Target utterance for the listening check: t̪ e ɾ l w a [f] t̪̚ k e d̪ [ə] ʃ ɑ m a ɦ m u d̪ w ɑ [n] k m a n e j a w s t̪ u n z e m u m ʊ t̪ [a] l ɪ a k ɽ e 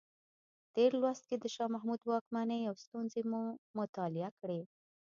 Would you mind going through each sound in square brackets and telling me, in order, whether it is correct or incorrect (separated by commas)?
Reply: incorrect, correct, incorrect, incorrect